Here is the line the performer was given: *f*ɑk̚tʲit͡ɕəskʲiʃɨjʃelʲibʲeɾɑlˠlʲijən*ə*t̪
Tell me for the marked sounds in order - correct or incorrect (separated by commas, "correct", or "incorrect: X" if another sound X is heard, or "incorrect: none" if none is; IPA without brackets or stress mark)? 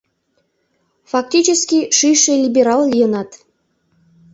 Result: correct, incorrect: ɑ